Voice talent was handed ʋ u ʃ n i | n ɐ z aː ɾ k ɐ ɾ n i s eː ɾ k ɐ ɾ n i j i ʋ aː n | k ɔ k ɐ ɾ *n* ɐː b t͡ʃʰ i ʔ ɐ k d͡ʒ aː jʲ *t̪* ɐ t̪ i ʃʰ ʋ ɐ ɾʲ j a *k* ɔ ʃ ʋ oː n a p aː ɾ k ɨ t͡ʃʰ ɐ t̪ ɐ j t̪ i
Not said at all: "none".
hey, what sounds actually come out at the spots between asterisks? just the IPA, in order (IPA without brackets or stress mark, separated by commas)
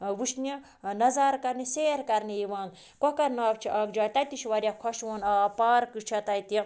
n, t̪, kʰ